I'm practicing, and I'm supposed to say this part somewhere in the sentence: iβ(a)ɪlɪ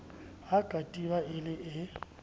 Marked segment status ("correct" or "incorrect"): correct